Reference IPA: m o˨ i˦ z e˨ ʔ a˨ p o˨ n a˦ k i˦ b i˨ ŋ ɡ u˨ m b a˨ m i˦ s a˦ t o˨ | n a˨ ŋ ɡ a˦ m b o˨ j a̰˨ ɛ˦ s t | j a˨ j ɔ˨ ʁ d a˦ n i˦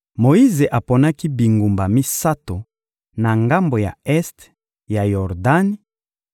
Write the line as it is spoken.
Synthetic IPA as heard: m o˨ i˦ z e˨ ʔ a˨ p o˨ n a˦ k i˦ b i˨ ŋ ɡ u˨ m b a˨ m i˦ s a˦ t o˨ | n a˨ ŋ ɡ a˦ m b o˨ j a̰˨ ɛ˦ s t | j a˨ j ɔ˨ ʁ d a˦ n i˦